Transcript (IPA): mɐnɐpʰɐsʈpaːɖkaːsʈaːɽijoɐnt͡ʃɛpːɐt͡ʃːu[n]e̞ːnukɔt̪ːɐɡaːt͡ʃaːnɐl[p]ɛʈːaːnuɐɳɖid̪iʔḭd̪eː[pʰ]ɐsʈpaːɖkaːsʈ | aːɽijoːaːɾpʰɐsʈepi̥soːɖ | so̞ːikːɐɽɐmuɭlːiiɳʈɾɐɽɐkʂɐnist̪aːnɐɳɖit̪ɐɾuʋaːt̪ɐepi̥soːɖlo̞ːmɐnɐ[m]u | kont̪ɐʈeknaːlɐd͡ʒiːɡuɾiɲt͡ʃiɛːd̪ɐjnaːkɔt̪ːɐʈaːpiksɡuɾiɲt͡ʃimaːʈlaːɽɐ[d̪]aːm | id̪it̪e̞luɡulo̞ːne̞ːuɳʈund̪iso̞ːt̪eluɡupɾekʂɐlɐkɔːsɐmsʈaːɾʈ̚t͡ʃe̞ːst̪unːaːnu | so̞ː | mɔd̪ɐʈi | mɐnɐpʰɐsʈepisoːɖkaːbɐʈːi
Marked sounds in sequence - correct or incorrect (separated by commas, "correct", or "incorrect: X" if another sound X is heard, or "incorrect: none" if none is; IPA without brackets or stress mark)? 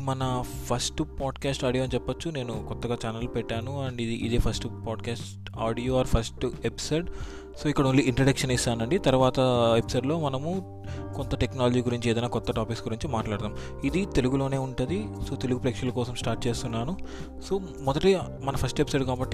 correct, correct, correct, correct, incorrect: t̪